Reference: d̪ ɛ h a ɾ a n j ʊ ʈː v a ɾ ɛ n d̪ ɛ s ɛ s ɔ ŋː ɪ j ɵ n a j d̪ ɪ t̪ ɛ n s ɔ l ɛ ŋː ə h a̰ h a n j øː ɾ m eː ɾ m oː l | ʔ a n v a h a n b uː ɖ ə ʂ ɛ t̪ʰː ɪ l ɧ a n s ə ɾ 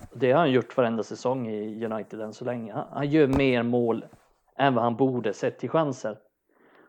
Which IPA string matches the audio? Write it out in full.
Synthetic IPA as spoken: d̪ ɛ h a ɾ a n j ʊ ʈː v a ɾ ɛ n d̪ a s ɛ s ɔ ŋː ɪ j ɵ n a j t̪ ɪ d̪ ɛ n s ɔ l ɛ ŋː ə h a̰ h a n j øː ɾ m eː ɾ m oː l | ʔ ɛ n v a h a n b uː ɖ ə s ɛ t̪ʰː ɪ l ɧ a n s ə ɾ